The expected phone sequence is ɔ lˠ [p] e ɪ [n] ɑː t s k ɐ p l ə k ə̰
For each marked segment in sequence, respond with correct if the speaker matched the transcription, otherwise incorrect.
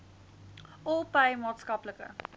correct, incorrect: m

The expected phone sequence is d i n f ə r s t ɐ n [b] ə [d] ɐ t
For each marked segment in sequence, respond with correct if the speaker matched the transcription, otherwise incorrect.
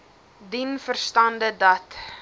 incorrect: d, correct

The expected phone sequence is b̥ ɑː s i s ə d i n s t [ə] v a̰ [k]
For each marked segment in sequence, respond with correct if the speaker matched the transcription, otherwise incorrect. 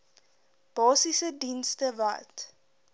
correct, incorrect: t

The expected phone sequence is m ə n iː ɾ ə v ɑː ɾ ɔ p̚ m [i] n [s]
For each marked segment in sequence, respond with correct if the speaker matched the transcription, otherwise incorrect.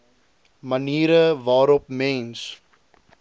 incorrect: ɛ, correct

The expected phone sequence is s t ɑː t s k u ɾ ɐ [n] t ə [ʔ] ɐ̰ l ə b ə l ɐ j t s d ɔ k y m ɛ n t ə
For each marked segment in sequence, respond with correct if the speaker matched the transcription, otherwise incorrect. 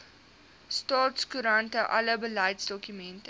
correct, correct

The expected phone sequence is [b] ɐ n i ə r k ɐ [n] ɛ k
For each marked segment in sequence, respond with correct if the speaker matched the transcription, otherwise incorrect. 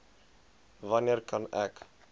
incorrect: v, correct

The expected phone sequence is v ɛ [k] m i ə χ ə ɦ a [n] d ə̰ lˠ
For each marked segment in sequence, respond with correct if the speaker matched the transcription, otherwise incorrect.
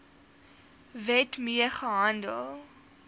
incorrect: t, correct

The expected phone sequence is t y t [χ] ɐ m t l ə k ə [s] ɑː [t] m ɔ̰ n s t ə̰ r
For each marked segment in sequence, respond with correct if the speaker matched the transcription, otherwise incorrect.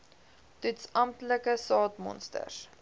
incorrect: s, correct, correct

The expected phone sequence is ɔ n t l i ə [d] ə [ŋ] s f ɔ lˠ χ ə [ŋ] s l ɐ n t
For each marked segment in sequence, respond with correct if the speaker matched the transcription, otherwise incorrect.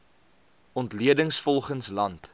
correct, correct, incorrect: n

